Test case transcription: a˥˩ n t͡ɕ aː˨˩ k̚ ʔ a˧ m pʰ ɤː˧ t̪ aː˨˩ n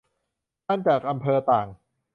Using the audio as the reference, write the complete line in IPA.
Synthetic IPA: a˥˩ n t͡ɕ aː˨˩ k̚ ʔ a˧ m pʰ ɤː˧ t̪ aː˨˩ ŋ